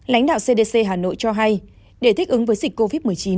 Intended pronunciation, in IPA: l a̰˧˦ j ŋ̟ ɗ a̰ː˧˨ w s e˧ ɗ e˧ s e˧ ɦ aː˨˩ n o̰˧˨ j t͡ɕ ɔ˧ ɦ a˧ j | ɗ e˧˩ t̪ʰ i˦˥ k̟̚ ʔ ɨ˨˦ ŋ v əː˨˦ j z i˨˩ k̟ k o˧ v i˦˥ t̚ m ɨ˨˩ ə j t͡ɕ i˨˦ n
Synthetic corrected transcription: l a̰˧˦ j ŋ̟ ɗ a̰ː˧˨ w s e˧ ɗ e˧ s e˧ ɦ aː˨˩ n o̰˧˨ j t͡ɕ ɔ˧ ɦ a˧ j | ɗ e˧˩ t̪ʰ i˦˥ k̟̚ ʔ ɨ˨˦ ŋ v əː˨˦ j z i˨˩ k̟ k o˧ v i˦˥ t̚ m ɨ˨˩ ə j t͡ɕ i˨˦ n